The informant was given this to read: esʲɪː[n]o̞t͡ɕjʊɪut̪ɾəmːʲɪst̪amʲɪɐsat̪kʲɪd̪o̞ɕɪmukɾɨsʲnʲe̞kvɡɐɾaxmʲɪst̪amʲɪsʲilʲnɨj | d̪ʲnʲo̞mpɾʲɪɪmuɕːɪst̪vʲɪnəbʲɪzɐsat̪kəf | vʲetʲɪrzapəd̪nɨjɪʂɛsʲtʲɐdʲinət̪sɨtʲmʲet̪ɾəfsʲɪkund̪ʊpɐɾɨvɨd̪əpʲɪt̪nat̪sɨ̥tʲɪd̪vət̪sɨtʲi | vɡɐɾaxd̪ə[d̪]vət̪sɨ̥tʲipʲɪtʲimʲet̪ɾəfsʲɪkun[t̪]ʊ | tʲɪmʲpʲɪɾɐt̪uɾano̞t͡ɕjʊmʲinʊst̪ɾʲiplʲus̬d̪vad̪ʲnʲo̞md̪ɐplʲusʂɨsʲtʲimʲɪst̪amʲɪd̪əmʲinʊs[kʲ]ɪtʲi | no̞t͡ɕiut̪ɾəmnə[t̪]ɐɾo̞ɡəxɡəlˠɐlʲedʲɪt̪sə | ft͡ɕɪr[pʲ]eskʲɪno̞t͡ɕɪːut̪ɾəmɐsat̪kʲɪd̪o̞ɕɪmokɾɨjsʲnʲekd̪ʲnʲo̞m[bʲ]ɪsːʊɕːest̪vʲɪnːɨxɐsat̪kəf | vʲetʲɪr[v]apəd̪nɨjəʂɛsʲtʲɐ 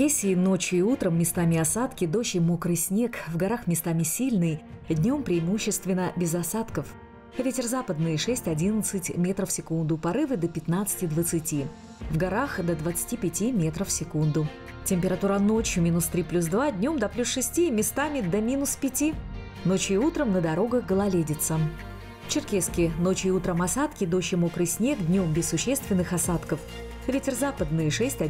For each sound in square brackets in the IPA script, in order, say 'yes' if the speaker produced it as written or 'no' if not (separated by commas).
yes, yes, no, no, no, no, yes, no